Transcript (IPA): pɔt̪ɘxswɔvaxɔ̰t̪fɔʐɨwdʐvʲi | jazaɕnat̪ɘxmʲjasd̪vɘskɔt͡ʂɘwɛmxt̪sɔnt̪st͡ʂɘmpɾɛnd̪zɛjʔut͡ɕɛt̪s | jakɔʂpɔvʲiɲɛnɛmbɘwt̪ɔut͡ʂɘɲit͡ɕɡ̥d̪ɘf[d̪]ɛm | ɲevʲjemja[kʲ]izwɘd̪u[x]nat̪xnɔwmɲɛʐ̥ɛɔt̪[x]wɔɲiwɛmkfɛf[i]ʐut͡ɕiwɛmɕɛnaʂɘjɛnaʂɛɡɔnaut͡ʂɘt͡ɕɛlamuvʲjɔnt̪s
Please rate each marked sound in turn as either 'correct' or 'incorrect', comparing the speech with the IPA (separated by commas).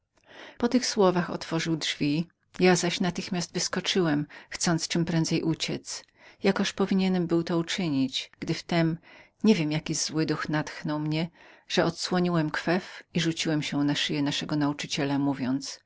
incorrect, correct, correct, incorrect, correct